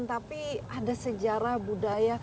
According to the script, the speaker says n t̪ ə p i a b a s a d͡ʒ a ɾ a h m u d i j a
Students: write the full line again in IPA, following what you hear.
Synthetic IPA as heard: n t̪ a p i a d a s ə d͡ʒ a ɾ a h b u d a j a